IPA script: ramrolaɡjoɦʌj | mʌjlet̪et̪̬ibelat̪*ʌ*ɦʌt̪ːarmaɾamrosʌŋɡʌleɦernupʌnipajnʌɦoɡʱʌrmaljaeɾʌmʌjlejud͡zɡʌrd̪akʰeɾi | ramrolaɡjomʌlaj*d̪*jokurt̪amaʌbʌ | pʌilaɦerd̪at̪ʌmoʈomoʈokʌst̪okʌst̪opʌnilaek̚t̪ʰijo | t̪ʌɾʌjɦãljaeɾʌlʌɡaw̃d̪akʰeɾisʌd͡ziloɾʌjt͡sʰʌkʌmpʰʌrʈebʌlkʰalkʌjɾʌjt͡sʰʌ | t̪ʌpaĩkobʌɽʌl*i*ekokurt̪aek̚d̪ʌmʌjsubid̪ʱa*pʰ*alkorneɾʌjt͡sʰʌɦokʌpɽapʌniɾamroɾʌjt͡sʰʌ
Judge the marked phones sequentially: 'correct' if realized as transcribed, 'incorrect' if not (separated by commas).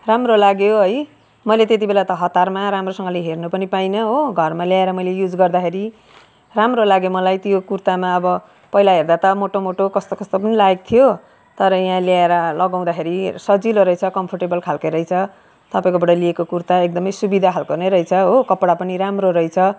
correct, incorrect, correct, incorrect